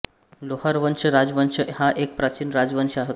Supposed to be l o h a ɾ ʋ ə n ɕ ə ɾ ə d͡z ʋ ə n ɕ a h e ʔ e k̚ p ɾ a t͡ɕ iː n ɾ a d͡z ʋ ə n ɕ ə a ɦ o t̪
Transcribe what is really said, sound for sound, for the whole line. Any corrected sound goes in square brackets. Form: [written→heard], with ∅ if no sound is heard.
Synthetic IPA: l o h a ɾ ʋ ə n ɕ ə ɾ [ə→a] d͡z ʋ ə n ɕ [a→ə] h [e→a] ʔ e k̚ p ɾ a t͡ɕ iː n ɾ a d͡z ʋ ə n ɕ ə a ɦ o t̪